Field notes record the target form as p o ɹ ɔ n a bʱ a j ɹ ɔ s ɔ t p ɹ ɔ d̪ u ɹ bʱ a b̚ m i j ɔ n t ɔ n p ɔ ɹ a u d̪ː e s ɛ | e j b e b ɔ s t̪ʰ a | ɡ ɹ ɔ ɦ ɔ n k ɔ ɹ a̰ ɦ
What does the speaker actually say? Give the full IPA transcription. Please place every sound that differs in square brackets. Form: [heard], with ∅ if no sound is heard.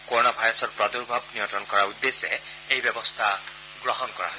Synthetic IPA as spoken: [k] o ɹ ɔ n a bʱ a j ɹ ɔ s ɔ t p ɹ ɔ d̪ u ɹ bʱ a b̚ [n] i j ɔ n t ɔ n [k] ɔ ɹ a u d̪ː e s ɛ | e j b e b ɔ s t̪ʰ a | ɡ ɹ ɔ ɦ ɔ n k ɔ ɹ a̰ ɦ